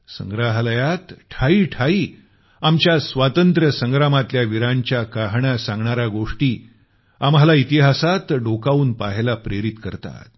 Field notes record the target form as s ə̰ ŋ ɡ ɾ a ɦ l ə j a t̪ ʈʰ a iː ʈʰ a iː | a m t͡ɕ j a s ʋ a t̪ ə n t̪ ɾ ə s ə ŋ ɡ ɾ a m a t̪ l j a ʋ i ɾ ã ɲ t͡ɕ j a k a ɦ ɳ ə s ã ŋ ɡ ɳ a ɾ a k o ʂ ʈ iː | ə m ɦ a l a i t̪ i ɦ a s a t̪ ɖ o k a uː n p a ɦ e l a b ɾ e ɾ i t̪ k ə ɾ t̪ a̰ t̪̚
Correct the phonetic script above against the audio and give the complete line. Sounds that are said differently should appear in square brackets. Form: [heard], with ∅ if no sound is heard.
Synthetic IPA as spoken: s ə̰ ŋ ɡ ɾ a ɦ l ə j a t̪ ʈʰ a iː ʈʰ a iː | a m t͡ɕ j a s ʋ a t̪ ə n t̪ ɾ ə s ə ŋ ɡ ɾ a m a t̪ l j a ʋ i ɾ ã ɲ t͡ɕ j a k a ɦ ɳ [a] s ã ŋ ɡ ɳ a ɾ a [ɡ] o ʂ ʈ iː | [a] m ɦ a l a i t̪ i ɦ a s a t̪ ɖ o k a uː n p a ɦ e l a [p] ɾ e ɾ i t̪ k ə ɾ t̪ a̰ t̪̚